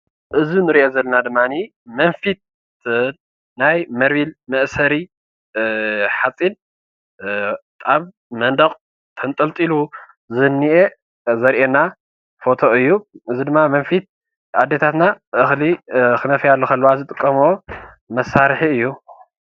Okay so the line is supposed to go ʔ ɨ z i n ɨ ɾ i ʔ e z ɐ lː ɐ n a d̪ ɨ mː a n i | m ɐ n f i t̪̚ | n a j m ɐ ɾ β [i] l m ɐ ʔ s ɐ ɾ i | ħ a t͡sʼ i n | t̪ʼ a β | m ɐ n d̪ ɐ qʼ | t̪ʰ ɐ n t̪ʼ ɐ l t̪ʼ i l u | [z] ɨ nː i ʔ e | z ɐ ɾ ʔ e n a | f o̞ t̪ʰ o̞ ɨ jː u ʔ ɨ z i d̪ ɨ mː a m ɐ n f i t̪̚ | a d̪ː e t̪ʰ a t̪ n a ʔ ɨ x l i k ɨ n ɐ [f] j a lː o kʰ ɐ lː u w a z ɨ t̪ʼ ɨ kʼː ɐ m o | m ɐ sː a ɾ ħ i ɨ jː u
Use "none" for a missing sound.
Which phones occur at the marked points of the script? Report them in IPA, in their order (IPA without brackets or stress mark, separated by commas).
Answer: i, z, f